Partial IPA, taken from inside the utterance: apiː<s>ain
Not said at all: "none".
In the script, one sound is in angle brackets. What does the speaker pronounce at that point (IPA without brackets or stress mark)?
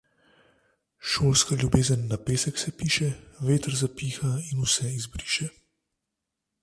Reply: x